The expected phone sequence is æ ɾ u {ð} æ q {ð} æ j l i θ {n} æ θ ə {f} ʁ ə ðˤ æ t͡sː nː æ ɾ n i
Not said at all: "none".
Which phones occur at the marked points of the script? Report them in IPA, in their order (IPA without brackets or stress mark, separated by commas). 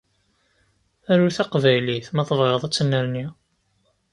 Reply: θ, v, m, v